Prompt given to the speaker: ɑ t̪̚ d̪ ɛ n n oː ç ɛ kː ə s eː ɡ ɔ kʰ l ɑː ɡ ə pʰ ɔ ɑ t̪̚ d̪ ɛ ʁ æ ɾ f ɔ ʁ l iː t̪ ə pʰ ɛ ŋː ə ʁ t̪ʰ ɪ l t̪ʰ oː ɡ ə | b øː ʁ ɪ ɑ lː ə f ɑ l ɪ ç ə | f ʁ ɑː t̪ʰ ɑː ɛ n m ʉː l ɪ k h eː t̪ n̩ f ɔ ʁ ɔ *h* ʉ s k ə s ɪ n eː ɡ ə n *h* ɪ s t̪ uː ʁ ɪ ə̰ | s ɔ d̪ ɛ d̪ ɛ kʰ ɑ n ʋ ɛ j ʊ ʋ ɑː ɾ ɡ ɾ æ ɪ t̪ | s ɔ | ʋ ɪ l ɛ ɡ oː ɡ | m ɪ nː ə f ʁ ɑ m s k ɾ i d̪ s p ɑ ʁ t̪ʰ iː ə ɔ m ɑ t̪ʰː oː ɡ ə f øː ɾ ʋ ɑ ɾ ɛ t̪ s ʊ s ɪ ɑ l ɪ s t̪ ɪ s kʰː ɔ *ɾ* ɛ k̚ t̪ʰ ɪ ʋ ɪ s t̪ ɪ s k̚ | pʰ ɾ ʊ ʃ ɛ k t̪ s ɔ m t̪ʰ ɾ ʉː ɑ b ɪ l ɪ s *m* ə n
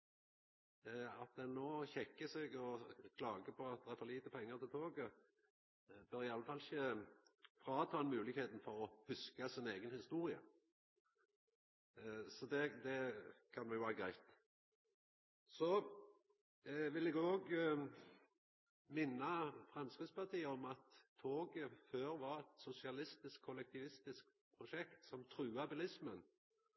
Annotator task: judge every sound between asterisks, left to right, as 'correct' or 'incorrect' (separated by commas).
correct, correct, incorrect, correct